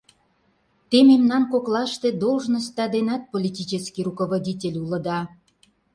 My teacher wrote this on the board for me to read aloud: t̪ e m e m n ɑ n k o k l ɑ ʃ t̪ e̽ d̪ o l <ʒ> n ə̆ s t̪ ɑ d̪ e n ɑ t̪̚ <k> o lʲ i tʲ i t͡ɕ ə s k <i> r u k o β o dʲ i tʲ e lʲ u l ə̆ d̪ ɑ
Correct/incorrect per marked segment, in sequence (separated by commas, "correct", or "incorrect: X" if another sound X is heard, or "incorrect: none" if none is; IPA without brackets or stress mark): correct, incorrect: p, correct